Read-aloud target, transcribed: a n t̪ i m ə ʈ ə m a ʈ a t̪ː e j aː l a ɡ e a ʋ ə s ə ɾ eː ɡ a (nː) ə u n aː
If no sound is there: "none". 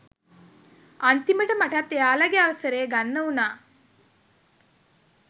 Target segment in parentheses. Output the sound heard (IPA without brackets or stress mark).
nː